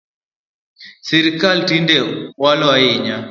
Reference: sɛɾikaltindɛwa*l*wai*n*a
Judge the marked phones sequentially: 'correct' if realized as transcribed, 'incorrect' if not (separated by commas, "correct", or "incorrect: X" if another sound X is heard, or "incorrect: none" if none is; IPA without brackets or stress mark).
correct, incorrect: ɲ